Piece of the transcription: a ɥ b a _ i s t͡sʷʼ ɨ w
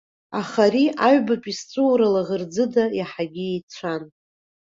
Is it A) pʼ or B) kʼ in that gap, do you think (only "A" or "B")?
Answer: A